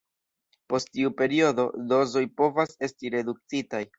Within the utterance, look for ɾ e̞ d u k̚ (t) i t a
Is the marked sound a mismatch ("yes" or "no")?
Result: yes